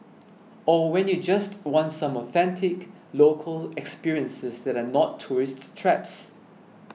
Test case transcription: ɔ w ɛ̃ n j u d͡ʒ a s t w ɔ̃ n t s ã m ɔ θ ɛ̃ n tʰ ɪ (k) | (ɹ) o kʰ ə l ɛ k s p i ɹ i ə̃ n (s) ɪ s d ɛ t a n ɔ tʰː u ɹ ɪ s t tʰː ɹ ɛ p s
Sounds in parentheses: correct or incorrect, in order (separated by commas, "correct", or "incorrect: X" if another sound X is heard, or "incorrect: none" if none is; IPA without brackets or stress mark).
correct, incorrect: l, correct